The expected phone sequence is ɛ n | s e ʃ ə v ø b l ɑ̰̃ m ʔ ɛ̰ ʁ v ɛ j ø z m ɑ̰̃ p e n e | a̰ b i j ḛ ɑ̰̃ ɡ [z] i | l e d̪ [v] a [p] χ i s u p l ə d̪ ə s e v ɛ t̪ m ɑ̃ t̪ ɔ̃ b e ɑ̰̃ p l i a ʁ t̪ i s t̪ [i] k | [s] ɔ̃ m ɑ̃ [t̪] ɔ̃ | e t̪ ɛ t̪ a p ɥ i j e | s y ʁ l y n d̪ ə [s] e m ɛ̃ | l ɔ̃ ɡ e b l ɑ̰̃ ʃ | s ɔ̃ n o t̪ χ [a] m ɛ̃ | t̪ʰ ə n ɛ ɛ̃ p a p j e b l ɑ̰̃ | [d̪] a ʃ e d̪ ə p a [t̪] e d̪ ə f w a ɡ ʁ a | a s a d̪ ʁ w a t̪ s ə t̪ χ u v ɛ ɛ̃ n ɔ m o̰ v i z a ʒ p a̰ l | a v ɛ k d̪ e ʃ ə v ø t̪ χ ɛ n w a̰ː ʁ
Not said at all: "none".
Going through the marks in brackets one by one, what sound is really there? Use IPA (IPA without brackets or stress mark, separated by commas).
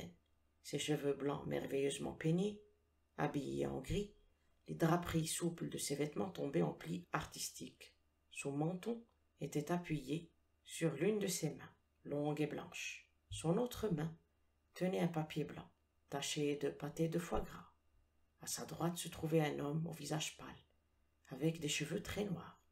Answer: ʁ, ʁ, p, i, s, t̪, s, ə, t̪, t̪